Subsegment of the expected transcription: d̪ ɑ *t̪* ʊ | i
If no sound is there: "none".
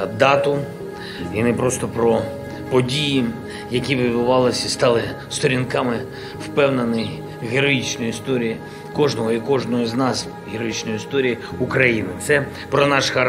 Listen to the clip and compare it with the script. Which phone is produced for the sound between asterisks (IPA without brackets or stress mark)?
t̪